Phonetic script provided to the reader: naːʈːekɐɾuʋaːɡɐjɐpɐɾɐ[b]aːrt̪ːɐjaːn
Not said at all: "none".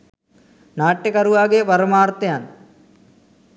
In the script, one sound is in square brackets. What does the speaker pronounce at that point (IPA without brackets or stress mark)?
m